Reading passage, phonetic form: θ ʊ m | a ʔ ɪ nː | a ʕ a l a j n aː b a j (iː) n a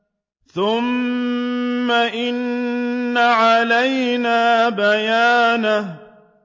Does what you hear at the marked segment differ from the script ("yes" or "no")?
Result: yes